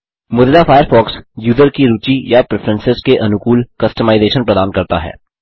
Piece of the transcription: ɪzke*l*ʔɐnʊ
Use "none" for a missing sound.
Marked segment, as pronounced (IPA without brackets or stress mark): none